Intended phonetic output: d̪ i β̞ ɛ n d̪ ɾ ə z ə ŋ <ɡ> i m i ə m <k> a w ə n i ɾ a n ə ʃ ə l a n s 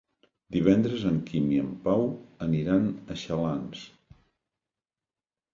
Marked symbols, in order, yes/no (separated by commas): no, no